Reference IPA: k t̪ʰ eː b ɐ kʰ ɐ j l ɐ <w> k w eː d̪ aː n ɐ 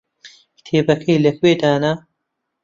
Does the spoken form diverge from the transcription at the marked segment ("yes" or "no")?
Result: yes